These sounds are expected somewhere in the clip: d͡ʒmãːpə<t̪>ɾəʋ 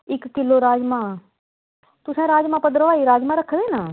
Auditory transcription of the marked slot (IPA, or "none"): d̪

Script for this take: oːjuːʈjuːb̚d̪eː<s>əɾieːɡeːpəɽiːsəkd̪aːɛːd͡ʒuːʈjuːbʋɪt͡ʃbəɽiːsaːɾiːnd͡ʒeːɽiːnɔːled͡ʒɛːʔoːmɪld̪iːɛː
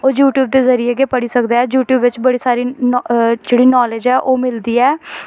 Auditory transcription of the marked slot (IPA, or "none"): z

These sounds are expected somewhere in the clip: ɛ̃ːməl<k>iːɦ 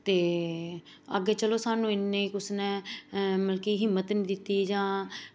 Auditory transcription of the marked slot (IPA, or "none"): k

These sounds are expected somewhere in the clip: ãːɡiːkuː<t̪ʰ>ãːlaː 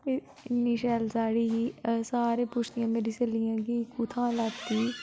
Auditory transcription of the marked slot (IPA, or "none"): t̪ʰ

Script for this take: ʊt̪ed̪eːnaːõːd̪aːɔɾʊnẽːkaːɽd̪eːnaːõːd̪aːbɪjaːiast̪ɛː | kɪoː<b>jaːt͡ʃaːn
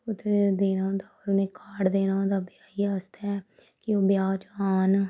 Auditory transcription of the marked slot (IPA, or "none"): b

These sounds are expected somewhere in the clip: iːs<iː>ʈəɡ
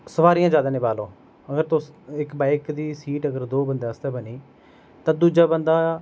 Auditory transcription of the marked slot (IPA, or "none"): iː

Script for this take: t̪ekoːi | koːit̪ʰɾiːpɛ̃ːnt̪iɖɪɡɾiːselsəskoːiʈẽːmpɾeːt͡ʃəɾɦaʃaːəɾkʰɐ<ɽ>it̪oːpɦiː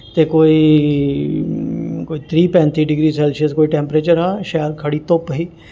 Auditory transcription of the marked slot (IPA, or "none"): ɽ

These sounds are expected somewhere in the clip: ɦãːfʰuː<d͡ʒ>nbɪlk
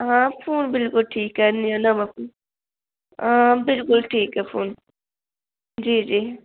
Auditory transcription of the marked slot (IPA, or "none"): none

